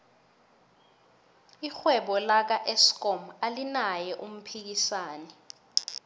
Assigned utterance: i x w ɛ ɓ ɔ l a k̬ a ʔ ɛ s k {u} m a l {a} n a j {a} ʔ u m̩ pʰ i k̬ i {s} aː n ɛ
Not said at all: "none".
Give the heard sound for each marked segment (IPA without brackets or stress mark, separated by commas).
ɔ, i, ɛ, s